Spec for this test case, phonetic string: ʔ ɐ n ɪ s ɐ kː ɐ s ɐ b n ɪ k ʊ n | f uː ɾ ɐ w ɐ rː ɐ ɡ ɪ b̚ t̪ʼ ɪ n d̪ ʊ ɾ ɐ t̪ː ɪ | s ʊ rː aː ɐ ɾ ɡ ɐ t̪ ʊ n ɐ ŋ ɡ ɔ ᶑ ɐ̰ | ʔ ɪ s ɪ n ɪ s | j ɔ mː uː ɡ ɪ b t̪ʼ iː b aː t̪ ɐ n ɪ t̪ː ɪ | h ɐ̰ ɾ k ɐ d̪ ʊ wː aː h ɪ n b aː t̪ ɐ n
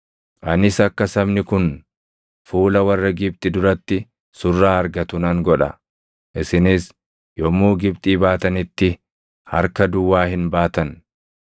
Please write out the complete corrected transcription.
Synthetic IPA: ʔ ɐ n ɪ s ɐ kː ɐ s ɐ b n ɪ k ʊ n | f uː l ɐ w ɐ rː ɐ ɡ ɪ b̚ t̪ʼ ɪ d̪ ʊ ɾ ɐ t̪ː ɪ | s ʊ rː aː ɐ ɾ ɡ ɐ t̪ ʊ n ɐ ŋ ɡ ɔ ᶑ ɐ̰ | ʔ ɪ s ɪ n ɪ s | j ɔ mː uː ɡ ɪ b t̪ʼ iː b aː t̪ ɐ n ɪ t̪ː ɪ | h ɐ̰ ɾ k ɐ d̪ ʊ wː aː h ɪ n b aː t̪ ɐ n